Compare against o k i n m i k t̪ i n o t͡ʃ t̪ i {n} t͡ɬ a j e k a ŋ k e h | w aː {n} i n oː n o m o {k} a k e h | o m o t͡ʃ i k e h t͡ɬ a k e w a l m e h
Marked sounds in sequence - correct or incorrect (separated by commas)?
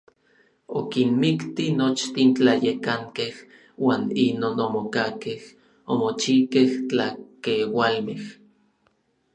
correct, correct, correct